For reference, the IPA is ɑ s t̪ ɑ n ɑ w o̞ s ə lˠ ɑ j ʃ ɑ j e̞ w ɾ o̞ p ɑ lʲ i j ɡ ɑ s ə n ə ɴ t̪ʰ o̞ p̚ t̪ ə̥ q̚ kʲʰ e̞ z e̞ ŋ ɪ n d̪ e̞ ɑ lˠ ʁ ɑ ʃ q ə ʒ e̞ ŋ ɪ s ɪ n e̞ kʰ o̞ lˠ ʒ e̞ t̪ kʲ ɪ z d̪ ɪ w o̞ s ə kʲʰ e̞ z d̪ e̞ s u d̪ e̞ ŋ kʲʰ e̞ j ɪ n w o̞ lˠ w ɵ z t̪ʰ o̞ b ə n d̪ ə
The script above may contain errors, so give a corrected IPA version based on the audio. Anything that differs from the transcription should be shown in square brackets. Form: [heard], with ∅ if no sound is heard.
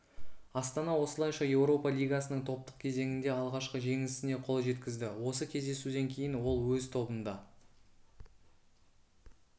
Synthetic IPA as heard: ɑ s t̪ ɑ n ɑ w o̞ s ə lˠ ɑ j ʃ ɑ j e̞ w ɾ o̞ p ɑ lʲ i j ɡ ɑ s ə n ə ɴ t̪ʰ o̞ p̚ t̪ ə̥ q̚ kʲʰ e̞ z e̞ ŋ ɪ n d̪ e̞ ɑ lˠ ʁ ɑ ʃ q ə ʒ e̞ ŋ ɪ s ɪ n e̞ [qʰ] o̞ lˠ ʒ e̞ t̪ kʲ ɪ z d̪ ɪ w o̞ s ə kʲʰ e̞ z d̪ e̞ s u d̪ e̞ ŋ kʲʰ e̞ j ɪ n w o̞ lˠ w ɵ z t̪ʰ o̞ b ə n d̪ [ɑ]

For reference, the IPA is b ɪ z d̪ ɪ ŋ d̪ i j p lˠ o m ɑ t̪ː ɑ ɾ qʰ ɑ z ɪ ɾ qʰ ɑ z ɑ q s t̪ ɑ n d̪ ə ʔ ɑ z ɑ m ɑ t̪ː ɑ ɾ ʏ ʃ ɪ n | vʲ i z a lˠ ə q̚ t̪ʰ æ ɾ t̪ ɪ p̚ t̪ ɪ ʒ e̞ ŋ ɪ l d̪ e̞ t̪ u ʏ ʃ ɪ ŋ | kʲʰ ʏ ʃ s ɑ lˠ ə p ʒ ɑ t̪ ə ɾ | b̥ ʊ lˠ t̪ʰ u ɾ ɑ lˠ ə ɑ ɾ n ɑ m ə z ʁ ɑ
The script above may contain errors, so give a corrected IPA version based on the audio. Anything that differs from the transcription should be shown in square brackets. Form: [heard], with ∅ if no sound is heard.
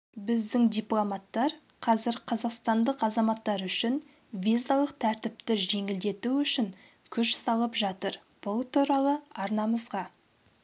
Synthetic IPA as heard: b ɪ z d̪ ɪ ŋ d̪ i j p lˠ o m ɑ t̪ː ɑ ɾ qʰ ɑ z ɪ ɾ qʰ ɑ z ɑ q s t̪ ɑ n d̪ ə [q] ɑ z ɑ m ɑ t̪ː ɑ ɾ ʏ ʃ ɪ n | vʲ i z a lˠ ə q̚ t̪ʰ æ ɾ t̪ ɪ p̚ t̪ ɪ ʒ e̞ ŋ ɪ l d̪ e̞ t̪ u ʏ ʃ ɪ ŋ | kʲʰ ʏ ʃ s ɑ lˠ ə p ʒ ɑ t̪ ə ɾ | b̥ ʊ lˠ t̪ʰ u ɾ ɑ lˠ ə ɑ ɾ n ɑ m ə z ʁ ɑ

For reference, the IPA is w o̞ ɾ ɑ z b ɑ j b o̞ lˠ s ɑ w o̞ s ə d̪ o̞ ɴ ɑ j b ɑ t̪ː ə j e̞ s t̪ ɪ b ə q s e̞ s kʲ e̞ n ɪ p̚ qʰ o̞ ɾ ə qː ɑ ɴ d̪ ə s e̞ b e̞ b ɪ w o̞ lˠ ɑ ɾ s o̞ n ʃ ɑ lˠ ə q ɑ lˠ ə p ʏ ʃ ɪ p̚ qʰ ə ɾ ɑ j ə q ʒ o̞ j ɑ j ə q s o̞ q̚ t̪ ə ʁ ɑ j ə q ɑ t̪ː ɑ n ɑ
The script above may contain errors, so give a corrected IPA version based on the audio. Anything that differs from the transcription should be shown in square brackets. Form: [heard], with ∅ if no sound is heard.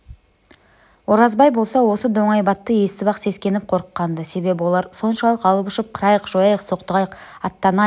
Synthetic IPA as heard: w o̞ ɾ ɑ z b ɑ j b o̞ lˠ s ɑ w o̞ s ə d̪ o̞ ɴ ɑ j b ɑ t̪ː ə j e̞ s t̪ ɪ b [ɑ] q s e̞ s kʲ e̞ n ɪ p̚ qʰ o̞ ɾ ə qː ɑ [n] d̪ ə s e̞ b e̞ b ɪ w o̞ lˠ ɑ ɾ s o̞ n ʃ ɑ lˠ ə q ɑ lˠ ə p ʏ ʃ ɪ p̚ qʰ ə ɾ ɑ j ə q ʒ o̞ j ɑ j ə q s o̞ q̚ t̪ ə ʁ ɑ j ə q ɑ t̪ː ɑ n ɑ

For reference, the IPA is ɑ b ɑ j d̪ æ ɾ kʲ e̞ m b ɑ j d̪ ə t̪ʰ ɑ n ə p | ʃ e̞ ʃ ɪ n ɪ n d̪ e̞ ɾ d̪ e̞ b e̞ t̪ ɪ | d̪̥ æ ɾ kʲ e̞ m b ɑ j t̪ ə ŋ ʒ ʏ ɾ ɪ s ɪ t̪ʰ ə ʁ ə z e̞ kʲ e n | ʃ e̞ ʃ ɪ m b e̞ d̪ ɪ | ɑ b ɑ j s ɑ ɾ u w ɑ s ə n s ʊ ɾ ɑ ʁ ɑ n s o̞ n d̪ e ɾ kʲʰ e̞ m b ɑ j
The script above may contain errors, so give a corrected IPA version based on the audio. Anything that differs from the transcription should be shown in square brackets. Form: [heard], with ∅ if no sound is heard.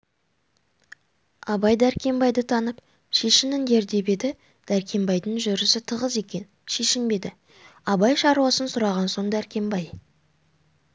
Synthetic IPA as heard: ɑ b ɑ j d̪ æ ɾ kʲ e̞ m b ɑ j d̪ ə t̪ʰ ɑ n ə p | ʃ e̞ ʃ ɪ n ɪ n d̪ e̞ ɾ d̪ e̞ b e̞ [d̪] ɪ | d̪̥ æ ɾ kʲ e̞ m b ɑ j [d̪] ə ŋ ʒ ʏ ɾ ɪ s ɪ t̪ʰ ə ʁ ə z e̞ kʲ e n | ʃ e̞ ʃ ɪ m b e̞ d̪ ɪ | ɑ b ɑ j [ʃ] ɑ ɾ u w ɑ s ə n s ʊ ɾ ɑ ʁ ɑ n s o̞ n d̪ [æ] ɾ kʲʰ e̞ m b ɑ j

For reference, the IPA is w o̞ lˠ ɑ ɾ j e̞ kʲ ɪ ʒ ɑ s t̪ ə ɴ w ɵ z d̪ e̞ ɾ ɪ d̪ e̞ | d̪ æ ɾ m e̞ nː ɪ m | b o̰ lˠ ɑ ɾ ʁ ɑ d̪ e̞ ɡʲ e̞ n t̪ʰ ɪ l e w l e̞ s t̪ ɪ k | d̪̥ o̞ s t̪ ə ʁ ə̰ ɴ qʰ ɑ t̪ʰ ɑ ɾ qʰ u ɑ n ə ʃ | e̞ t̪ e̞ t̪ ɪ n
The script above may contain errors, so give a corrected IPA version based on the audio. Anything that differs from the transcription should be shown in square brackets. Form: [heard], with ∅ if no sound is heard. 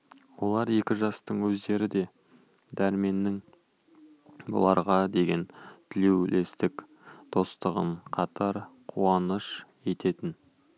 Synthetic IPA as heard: w o̞ lˠ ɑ ɾ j e̞ kʲ ɪ ʒ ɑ s t̪ ə ɴ w ɵ z d̪ e̞ ɾ ɪ d̪ e̞ | d̪ æ ɾ m e̞ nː ɪ [ŋ] | b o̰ lˠ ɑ ɾ ʁ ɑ d̪ e̞ ɡʲ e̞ n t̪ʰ ɪ l e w l e̞ s t̪ ɪ k | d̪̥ o̞ s t̪ ə ʁ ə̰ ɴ qʰ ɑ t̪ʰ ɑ ɾ qʰ u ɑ n ə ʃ | e̞ t̪ e̞ t̪ ɪ n

